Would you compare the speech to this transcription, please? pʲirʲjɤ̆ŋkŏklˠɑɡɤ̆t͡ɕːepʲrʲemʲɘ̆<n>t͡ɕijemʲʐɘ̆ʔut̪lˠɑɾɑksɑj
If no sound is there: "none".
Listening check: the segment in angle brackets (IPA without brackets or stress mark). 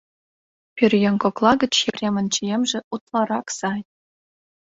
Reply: n